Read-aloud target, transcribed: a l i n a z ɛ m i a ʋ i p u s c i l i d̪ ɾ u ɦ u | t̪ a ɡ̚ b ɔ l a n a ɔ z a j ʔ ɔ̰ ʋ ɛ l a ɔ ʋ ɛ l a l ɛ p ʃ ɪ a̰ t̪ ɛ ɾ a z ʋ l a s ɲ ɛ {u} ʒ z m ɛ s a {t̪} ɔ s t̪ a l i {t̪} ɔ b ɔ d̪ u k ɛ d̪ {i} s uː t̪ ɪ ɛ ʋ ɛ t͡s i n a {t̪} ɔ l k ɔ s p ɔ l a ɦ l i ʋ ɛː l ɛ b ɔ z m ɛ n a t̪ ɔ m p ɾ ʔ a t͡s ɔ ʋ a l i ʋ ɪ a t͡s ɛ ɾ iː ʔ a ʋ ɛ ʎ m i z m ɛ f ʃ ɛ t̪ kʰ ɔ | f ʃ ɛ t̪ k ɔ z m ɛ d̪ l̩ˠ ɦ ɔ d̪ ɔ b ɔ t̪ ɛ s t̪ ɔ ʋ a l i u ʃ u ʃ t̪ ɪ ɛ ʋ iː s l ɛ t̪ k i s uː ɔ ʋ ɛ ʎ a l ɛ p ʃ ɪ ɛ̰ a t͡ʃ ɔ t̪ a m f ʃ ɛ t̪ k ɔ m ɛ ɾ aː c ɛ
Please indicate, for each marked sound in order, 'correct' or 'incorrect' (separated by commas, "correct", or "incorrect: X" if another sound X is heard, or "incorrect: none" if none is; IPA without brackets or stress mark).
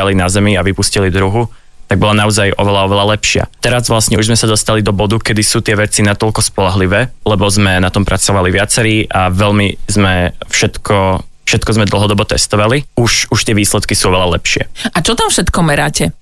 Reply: correct, incorrect: d̪, incorrect: d̪, correct, correct